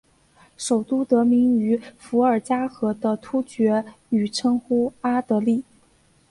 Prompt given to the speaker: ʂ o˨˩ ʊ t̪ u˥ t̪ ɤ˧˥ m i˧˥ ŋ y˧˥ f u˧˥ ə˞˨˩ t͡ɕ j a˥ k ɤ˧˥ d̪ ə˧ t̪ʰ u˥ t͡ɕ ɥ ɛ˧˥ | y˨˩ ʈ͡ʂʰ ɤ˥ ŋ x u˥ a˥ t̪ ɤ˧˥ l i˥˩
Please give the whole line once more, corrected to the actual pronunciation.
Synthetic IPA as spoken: ʂ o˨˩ ʊ t̪ u˥ t̪ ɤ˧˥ m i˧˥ ŋ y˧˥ f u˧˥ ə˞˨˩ t͡ɕ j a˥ x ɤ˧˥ d̪ ə˧ t̪ʰ u˥ t͡ɕ ɥ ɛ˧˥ | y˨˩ ʈ͡ʂʰ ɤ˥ ŋ x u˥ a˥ t̪ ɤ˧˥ l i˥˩

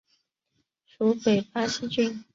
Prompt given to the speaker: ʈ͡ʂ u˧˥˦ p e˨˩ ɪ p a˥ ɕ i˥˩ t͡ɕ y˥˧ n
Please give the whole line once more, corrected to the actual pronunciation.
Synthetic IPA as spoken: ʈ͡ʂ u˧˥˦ p e˨˩ ɪ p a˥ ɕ i˥ t͡ɕ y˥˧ n

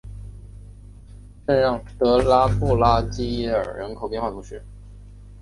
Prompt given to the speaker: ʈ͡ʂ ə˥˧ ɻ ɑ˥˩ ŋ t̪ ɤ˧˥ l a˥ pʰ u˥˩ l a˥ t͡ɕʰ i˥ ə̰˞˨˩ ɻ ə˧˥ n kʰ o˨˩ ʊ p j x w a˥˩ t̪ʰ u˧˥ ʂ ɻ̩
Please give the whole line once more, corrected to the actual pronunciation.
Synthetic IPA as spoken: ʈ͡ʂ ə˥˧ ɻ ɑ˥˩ ŋ t̪ ɤ˧˥ l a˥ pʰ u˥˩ l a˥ t͡ɕ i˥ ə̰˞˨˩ ɻ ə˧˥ n kʰ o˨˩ ʊ p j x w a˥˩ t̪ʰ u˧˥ ʂ ɻ̩

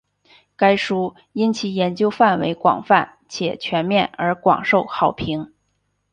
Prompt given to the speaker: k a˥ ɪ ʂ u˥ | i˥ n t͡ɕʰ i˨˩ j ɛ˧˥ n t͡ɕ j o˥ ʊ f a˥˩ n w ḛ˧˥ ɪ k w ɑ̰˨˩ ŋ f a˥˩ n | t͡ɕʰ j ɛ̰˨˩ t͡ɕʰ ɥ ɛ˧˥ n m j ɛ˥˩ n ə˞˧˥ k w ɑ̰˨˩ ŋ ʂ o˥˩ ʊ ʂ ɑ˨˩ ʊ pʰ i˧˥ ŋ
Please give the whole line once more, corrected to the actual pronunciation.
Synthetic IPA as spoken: k a˥ ɪ ʂ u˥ | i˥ n t͡ɕʰ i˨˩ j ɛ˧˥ n t͡ɕ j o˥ ʊ f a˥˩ n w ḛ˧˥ ɪ k w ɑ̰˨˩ ŋ f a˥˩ n | t͡ɕʰ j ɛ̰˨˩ t͡ɕʰ ɥ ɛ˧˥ n m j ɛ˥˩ n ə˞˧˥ k w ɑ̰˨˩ ŋ ʂ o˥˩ ʊ x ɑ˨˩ ʊ pʰ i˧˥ ŋ

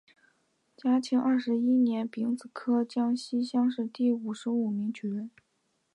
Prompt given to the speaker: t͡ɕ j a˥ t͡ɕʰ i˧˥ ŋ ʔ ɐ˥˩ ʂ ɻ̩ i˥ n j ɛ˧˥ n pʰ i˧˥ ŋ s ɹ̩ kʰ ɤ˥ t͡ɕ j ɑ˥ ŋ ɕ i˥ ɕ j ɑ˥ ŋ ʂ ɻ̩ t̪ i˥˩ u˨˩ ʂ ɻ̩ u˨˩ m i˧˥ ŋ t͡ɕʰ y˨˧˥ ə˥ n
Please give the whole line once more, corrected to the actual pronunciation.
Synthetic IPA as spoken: t͡ɕ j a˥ t͡ɕʰ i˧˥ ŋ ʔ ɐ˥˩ ʂ ɻ̩ i˥ n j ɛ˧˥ n p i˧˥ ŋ t͡s ɹ̩ kʰ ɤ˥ t͡ɕ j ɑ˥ ŋ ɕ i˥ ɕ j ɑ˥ ŋ ʂ ɻ̩ t̪ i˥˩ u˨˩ ʂ ɻ̩ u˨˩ m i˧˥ ŋ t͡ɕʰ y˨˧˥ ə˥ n

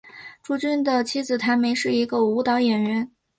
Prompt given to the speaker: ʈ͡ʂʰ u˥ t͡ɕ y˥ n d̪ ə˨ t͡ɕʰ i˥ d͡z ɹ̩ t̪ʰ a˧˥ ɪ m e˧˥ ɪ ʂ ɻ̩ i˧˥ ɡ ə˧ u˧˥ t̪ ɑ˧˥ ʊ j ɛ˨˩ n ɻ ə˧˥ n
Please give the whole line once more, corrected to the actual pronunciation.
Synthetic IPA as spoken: ʈ͡ʂ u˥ t͡ɕ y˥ n d̪ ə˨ t͡ɕʰ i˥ d͡z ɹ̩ t̪ʰ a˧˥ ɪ m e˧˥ ɪ ʂ ɻ̩ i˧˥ ɡ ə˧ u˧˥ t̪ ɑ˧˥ ʊ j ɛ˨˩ n ɻ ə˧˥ n

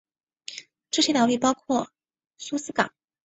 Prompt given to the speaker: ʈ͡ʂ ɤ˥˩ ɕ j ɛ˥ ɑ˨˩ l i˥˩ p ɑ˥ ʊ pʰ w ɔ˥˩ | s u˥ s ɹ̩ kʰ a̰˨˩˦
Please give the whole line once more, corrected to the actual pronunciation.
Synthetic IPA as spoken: ʈ͡ʂ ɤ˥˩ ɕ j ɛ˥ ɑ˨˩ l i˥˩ p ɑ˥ ʊ kʰ w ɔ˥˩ | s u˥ s ɹ̩ k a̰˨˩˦

